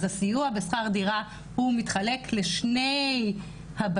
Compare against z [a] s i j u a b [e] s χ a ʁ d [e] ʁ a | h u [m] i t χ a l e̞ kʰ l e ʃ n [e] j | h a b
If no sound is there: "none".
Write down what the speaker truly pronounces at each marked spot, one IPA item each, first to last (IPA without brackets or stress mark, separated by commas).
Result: a, e, i, m, e